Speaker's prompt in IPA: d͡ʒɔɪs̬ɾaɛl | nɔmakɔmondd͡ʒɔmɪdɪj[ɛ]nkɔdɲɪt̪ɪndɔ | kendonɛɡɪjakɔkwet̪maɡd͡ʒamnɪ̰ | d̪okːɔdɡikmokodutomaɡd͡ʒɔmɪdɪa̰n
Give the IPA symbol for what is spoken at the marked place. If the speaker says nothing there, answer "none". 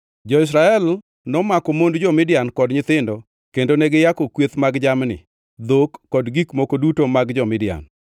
a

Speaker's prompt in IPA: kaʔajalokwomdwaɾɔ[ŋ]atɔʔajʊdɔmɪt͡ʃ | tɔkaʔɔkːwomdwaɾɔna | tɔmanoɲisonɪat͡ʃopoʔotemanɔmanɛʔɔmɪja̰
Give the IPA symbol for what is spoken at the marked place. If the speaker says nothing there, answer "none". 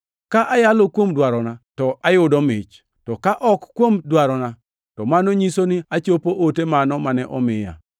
n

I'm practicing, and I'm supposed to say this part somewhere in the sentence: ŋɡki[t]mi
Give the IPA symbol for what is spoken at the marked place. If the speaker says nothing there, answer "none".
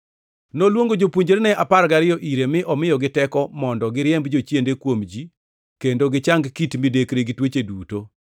t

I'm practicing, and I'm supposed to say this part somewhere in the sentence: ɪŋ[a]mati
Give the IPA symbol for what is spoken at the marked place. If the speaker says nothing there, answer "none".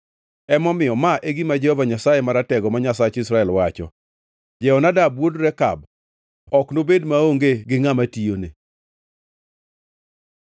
a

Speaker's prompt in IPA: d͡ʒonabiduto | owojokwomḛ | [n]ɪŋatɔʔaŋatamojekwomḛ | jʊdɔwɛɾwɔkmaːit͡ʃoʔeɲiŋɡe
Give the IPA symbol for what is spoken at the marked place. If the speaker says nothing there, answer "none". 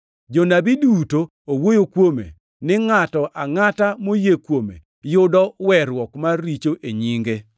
n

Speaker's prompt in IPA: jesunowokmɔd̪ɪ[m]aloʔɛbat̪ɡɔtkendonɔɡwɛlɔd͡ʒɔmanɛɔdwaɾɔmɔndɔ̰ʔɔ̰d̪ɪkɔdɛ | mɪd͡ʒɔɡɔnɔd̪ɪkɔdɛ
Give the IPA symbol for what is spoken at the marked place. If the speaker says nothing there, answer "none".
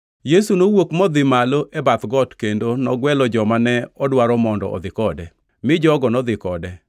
m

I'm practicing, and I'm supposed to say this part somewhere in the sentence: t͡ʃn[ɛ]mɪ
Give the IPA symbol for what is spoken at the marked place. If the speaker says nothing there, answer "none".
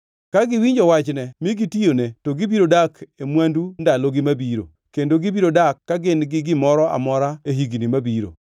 ɛ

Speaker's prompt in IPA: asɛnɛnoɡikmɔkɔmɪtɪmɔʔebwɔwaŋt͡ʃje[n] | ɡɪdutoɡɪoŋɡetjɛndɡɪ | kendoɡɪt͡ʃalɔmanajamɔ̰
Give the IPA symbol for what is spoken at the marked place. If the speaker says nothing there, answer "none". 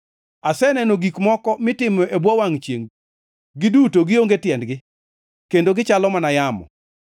ŋ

